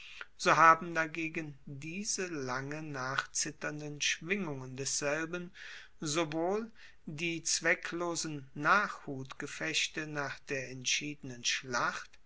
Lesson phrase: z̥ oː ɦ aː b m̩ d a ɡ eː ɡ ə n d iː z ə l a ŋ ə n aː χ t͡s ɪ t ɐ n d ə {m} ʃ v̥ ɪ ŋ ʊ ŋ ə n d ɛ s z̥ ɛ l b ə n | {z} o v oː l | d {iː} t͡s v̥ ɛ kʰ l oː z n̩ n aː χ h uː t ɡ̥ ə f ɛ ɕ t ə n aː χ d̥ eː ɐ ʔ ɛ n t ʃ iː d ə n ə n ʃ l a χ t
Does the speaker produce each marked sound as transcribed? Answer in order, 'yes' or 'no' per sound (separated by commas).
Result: no, yes, yes